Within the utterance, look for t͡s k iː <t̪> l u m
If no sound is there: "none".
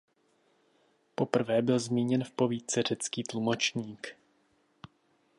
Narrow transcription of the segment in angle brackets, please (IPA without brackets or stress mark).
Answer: t̪